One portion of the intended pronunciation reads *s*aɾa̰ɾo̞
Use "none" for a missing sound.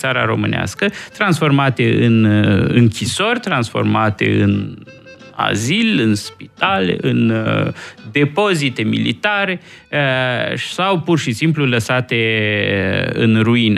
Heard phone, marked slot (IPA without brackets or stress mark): s